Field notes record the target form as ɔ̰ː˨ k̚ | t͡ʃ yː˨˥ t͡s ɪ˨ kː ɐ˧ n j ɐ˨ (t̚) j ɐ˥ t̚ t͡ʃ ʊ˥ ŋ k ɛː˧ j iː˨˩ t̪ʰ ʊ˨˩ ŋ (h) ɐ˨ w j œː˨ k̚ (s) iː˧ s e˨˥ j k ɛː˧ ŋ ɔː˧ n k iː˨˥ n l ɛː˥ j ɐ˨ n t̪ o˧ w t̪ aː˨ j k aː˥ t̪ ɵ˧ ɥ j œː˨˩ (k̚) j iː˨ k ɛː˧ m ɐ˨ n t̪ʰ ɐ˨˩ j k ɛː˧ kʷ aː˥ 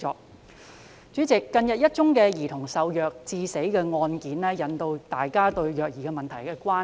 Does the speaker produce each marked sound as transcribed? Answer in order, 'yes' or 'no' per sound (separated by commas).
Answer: yes, no, no, yes